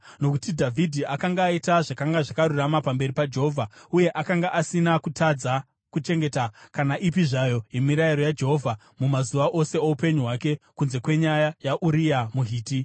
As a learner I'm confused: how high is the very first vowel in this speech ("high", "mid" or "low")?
mid